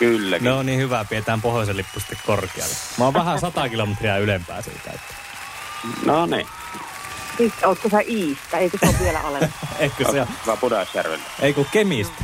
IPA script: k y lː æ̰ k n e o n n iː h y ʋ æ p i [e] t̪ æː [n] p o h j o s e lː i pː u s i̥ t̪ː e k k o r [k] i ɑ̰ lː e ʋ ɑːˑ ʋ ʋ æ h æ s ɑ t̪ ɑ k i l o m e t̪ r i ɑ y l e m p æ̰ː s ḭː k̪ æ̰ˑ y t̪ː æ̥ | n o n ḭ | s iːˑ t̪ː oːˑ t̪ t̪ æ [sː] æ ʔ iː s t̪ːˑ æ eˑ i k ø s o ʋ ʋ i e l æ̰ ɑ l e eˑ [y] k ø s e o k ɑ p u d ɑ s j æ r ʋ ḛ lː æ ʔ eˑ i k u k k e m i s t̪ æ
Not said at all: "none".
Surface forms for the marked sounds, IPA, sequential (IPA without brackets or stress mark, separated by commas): e, m, k, s, i